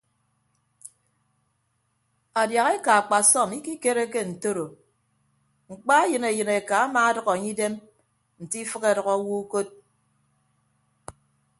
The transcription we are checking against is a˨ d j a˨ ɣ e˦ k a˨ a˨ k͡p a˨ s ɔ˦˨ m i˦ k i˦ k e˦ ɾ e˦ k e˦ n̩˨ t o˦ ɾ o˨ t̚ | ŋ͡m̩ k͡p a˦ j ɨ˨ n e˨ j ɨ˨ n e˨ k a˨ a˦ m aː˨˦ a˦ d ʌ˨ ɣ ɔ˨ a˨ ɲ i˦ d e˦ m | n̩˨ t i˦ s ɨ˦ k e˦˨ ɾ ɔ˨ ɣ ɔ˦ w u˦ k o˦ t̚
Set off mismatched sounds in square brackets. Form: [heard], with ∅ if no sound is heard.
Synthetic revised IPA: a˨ d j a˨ ɣ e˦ k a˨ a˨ k͡p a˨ s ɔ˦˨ m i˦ k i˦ k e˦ ɾ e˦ k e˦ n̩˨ t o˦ ɾ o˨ [∅] | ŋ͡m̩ k͡p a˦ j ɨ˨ n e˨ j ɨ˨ n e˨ k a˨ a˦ m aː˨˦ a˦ d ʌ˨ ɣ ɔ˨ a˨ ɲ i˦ d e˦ m | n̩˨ t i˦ [f] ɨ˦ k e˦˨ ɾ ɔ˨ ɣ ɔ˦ w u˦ k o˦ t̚